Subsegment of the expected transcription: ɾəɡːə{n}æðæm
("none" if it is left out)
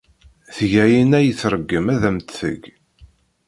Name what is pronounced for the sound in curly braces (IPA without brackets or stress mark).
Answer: m